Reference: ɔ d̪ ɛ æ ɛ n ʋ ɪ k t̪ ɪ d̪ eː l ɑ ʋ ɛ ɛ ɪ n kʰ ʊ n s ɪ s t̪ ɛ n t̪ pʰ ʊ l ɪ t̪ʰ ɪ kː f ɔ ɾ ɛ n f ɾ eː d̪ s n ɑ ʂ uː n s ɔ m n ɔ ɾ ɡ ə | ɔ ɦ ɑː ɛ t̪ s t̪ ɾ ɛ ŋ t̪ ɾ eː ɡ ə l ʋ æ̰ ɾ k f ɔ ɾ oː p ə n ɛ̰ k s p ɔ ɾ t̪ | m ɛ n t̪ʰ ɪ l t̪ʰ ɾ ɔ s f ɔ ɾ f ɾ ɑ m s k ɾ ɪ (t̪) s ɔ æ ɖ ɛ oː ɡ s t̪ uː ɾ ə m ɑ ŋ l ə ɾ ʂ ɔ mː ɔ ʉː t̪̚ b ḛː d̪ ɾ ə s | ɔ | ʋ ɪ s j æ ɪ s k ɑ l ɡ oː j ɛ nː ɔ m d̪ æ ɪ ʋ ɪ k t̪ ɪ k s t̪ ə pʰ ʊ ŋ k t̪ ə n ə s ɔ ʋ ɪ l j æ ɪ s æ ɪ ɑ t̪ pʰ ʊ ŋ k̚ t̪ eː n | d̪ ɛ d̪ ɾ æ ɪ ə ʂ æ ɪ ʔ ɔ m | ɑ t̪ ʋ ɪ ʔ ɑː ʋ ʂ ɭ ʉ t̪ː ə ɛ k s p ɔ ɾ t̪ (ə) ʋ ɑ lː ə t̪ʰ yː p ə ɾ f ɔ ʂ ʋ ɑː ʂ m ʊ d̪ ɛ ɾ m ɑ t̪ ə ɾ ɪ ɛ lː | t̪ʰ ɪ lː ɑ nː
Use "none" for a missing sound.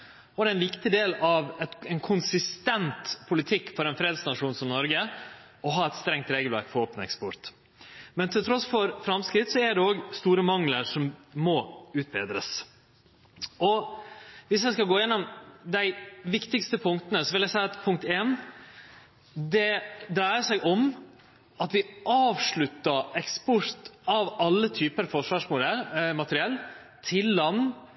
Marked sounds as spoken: t̪, ɑ

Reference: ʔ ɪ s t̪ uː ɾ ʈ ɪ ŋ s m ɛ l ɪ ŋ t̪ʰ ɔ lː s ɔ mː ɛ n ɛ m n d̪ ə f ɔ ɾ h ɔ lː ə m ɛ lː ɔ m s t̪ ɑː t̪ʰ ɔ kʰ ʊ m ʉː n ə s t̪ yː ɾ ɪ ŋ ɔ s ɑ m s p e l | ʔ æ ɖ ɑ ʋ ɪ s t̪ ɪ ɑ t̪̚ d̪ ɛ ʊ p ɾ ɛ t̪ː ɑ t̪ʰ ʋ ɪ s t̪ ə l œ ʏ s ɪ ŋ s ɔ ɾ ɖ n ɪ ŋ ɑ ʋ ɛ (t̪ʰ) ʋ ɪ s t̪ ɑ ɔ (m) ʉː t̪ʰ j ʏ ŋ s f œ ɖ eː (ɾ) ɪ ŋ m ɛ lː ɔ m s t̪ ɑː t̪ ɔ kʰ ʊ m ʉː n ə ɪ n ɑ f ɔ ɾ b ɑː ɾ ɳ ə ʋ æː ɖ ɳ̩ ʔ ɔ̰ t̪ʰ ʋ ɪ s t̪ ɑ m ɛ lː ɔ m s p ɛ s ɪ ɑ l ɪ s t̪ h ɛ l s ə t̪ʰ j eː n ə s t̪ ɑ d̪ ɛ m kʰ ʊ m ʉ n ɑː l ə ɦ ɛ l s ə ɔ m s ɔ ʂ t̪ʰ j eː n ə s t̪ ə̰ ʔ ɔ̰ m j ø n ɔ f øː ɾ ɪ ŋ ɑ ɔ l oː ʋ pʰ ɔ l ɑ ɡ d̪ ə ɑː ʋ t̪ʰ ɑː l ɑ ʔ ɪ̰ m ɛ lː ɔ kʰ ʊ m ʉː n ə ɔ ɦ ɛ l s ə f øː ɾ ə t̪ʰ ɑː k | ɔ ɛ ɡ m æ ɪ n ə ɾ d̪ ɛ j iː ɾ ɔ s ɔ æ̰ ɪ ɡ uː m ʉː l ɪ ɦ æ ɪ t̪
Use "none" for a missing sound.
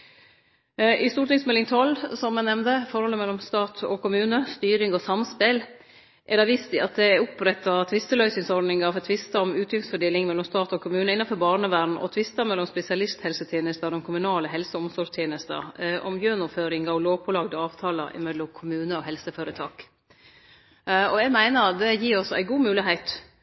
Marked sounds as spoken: t̪ʰ, m, l

